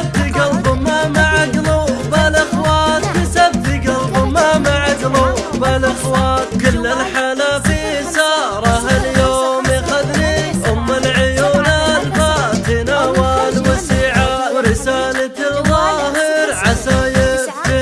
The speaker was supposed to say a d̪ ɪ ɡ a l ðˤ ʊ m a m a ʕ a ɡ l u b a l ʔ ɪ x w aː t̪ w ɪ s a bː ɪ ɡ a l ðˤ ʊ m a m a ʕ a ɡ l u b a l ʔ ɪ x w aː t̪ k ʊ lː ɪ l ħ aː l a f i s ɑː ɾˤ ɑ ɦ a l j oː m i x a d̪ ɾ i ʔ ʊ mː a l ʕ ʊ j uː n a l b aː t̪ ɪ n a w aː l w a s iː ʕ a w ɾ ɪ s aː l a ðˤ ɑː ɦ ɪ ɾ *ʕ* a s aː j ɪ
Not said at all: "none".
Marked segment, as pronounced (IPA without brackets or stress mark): ʕ